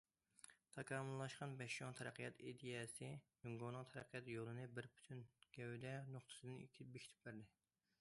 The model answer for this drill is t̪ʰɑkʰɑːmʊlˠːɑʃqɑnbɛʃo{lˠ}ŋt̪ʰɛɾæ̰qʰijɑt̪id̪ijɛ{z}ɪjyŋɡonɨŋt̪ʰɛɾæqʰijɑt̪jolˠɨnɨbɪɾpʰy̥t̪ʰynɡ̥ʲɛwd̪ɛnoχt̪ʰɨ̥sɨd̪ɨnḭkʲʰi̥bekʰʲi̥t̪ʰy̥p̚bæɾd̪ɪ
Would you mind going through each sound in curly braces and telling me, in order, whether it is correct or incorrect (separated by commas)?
incorrect, incorrect